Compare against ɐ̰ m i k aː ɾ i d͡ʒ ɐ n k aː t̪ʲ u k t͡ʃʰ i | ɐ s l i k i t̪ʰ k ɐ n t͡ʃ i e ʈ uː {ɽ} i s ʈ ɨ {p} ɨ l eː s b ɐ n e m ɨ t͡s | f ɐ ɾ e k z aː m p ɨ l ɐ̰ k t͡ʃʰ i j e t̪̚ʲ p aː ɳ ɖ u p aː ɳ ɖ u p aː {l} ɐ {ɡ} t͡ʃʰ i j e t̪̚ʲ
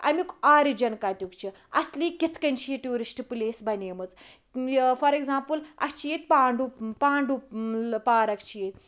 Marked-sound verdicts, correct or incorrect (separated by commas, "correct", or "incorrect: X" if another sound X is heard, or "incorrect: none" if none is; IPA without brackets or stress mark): incorrect: ɾ, correct, incorrect: ɾ, incorrect: k